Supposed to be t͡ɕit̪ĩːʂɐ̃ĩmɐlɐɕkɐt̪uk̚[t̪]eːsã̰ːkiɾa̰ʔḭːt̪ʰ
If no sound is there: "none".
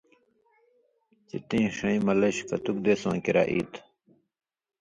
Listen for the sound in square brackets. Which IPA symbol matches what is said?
d̪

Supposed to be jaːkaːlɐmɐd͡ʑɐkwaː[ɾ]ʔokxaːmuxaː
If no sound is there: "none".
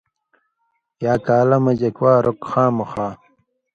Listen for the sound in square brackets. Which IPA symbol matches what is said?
ɾ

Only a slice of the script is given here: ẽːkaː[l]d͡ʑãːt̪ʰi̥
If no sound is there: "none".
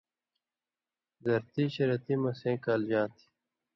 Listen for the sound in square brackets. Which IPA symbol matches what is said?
l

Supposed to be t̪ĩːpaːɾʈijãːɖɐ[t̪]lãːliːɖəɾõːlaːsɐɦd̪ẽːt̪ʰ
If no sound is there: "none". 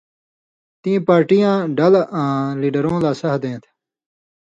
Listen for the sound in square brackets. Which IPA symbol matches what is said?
none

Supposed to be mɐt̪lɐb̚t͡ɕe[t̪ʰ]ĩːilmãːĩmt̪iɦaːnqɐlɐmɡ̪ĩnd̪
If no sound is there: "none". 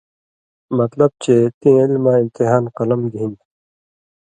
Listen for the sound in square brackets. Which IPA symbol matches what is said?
t̪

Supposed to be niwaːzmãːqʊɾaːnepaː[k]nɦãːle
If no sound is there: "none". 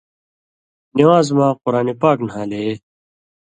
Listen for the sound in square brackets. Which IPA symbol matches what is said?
k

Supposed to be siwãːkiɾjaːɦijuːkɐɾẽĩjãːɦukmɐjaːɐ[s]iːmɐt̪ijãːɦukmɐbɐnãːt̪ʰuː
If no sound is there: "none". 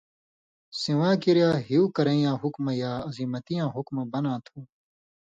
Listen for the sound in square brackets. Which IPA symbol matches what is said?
z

